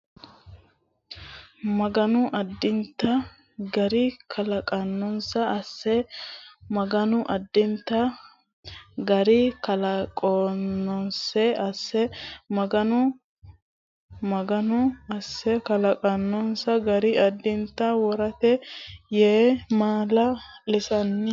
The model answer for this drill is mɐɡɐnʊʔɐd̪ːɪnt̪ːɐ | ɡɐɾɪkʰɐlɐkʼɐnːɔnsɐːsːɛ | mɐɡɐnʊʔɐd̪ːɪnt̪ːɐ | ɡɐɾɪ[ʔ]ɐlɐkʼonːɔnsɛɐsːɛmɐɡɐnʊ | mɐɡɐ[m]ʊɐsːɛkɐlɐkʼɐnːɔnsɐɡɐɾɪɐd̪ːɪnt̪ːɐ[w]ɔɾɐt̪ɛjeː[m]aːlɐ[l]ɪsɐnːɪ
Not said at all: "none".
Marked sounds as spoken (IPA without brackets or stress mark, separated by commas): k, n, w, m, l